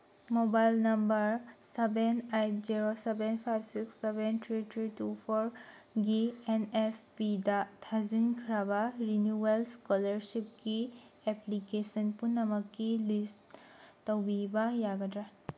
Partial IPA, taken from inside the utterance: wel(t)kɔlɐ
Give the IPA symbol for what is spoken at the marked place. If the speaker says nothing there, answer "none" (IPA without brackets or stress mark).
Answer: s